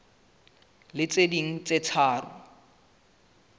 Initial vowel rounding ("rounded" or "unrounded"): unrounded